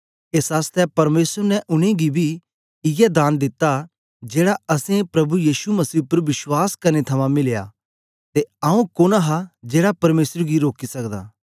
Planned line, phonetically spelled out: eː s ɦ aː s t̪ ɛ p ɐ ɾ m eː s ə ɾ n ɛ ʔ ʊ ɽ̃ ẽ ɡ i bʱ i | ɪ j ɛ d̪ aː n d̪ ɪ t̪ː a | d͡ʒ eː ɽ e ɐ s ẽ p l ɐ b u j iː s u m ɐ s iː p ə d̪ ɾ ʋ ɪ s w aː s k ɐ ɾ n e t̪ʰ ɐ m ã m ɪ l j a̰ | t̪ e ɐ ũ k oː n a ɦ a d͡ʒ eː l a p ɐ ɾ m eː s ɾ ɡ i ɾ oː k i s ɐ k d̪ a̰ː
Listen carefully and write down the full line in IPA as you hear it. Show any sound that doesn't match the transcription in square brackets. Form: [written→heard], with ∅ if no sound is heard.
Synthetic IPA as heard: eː s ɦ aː s t̪ ɛ p ɐ ɾ m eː s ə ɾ n ɛ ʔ ʊ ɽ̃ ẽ ɡ i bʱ i | ɪ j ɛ d̪ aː n d̪ ɪ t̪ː a | d͡ʒ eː ɽ [e→a] ɐ s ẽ p [l→ɾ] ɐ b u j iː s u m ɐ s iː p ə [d̪→∅] ɾ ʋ ɪ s w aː s k ɐ ɾ n e t̪ʰ ɐ m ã m ɪ l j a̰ | t̪ e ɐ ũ k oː n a ɦ a d͡ʒ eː [l→ɽ] a p ɐ ɾ m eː s ɾ ɡ i ɾ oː k i s ɐ k d̪ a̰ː